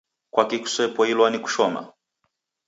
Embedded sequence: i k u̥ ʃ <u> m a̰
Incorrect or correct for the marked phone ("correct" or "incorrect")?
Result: incorrect